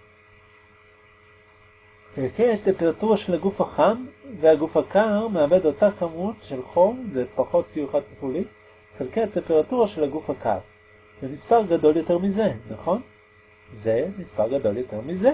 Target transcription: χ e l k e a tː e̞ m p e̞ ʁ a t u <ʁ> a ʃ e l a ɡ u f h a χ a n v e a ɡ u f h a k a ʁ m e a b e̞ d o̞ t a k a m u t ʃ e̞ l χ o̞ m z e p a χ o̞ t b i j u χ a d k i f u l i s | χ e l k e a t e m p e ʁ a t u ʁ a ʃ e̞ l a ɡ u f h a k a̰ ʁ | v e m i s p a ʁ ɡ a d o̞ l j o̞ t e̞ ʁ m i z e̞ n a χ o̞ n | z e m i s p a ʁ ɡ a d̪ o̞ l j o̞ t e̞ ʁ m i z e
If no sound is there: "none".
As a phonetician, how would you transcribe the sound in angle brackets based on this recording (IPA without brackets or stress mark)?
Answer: ʁ